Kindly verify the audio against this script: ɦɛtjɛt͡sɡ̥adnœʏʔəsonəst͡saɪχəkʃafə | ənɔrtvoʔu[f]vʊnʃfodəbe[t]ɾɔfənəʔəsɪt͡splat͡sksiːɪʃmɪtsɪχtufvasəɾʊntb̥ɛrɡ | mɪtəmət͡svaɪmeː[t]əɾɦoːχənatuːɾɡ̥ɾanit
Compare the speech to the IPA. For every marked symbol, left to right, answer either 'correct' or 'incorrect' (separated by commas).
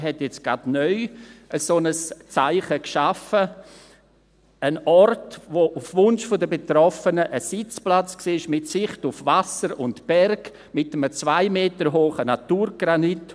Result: correct, correct, correct